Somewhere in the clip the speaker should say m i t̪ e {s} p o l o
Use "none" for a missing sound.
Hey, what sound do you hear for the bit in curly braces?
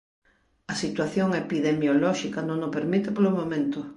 none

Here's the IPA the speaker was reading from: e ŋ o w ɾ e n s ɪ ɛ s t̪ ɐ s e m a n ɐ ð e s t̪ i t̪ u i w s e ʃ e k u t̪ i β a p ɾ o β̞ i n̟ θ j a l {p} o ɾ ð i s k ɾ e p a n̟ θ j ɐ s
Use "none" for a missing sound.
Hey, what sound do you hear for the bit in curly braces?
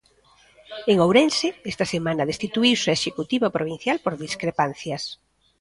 p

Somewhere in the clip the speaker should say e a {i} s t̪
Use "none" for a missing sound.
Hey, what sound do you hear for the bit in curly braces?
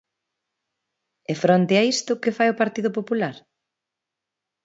i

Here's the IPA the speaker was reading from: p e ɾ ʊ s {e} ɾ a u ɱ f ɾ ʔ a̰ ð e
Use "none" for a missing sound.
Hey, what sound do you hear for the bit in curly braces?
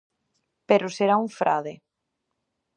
e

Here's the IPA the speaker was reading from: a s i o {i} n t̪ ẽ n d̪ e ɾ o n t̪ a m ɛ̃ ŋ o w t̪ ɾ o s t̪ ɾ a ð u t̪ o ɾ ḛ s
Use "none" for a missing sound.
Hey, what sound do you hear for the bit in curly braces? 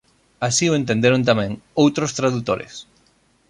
e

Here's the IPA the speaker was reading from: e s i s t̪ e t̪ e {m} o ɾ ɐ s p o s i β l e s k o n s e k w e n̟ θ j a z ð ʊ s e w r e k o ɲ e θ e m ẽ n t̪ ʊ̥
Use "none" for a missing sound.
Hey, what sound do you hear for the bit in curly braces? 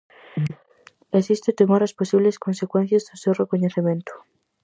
m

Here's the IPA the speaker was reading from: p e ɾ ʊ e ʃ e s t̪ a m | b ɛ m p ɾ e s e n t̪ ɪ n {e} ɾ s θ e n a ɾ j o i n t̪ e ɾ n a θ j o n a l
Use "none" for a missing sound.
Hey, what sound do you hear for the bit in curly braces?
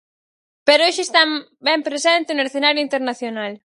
e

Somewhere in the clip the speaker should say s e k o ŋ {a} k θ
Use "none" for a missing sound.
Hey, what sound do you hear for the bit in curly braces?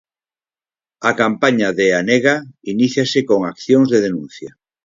a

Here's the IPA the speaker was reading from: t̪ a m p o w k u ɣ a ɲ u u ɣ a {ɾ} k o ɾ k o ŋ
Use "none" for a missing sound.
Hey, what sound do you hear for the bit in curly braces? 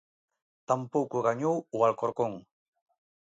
l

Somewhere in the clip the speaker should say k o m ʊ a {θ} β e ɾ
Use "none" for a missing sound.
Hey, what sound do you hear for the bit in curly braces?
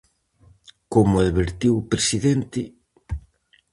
ð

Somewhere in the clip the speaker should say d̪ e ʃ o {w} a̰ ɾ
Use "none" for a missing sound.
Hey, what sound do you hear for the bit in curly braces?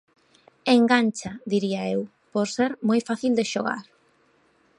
ɣ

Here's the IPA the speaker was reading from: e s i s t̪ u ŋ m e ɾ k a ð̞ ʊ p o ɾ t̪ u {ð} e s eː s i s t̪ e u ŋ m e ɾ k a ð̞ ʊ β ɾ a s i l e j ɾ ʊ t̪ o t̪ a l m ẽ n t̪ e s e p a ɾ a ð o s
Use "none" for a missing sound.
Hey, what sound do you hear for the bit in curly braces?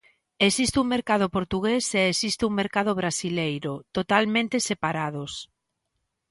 ɣ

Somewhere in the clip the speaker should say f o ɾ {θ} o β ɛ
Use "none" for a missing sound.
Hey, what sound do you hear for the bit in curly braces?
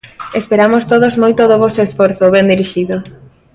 θ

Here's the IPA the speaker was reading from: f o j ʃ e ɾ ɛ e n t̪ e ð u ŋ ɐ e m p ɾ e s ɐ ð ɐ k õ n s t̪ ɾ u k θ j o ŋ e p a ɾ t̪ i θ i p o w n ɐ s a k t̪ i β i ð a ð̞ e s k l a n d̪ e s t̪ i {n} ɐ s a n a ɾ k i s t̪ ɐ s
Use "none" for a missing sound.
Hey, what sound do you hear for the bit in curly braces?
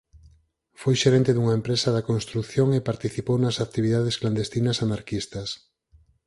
n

